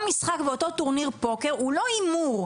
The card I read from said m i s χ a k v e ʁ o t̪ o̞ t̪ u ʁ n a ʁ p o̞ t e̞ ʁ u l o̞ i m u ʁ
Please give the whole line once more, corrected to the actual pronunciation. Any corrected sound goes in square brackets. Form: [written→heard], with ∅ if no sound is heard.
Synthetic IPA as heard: m i s χ a k v e [ʁ→∅] o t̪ o̞ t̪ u ʁ n [a→i] ʁ p o̞ [t→k] e̞ ʁ u l o̞ i m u ʁ